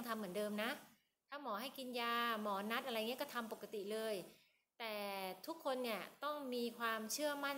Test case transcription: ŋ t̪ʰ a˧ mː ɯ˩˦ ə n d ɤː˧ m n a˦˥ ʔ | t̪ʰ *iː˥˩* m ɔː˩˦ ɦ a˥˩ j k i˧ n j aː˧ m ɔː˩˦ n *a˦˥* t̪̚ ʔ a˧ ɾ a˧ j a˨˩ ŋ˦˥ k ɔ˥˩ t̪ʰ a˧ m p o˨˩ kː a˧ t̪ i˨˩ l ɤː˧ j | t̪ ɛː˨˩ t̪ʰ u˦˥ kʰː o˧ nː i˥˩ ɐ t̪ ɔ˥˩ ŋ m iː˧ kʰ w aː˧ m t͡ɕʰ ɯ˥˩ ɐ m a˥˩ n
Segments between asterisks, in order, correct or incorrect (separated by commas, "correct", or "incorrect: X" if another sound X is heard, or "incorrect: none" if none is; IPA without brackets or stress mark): incorrect: aː˥˩, correct